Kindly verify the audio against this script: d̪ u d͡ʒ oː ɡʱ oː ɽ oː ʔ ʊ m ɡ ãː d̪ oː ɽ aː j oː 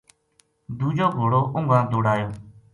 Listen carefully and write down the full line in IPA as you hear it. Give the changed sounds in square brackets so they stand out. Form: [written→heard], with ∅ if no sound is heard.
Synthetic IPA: d̪ [u→uː] d͡ʒ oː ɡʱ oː ɽ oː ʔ ʊ [m→ŋ] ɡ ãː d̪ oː ɽ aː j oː